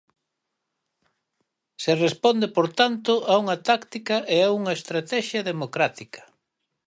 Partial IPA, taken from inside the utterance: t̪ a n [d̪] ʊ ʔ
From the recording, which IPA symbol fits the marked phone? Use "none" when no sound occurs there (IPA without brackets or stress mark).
t̪